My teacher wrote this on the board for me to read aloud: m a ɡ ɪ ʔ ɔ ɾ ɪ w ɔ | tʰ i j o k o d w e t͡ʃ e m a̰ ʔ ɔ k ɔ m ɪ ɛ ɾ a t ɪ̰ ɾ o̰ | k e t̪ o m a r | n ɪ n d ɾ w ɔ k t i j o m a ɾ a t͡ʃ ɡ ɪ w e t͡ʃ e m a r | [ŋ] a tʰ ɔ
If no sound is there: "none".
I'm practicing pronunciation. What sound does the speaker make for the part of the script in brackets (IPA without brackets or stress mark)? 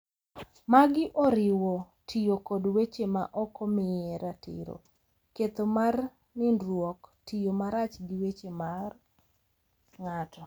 ŋ